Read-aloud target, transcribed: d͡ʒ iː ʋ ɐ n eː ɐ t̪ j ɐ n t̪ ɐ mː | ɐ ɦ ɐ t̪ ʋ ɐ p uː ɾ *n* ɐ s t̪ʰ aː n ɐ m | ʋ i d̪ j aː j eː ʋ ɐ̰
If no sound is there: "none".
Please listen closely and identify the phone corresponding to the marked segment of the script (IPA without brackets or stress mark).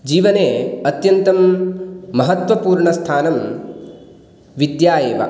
ɳ